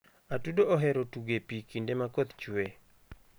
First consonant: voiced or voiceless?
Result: voiceless